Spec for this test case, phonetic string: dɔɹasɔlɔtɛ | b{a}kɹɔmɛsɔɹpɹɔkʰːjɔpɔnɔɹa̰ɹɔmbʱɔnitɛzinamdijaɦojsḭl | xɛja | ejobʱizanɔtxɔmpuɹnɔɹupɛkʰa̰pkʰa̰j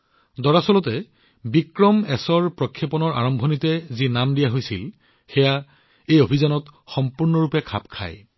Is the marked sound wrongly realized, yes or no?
yes